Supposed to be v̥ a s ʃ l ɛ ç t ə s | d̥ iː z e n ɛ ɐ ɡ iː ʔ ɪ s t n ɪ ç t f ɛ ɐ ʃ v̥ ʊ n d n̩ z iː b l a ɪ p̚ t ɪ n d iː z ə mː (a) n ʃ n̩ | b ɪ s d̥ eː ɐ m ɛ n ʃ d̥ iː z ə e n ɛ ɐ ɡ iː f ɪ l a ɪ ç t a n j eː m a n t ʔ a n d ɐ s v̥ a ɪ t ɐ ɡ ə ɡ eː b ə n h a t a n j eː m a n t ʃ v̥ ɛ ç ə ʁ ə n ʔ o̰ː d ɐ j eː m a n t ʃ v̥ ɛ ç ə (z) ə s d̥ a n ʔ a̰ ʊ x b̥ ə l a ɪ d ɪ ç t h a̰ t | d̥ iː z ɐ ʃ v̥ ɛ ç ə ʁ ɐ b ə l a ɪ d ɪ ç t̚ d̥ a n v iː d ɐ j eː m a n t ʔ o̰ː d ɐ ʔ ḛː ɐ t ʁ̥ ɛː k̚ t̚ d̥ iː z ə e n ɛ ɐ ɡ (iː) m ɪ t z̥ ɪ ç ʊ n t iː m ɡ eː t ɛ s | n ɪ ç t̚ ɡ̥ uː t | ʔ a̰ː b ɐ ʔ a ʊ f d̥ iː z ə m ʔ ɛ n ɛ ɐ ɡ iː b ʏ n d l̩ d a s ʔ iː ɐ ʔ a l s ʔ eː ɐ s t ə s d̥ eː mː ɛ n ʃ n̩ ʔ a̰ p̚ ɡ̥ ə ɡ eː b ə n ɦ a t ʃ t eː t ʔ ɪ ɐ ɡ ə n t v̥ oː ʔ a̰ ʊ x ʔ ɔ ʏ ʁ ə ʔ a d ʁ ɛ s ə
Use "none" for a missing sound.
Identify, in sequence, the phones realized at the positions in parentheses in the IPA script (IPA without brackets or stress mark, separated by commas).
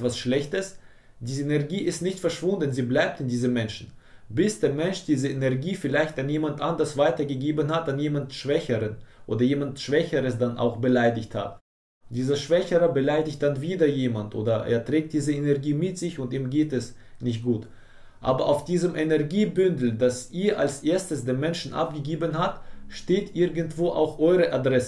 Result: ɛ, ʁ, iː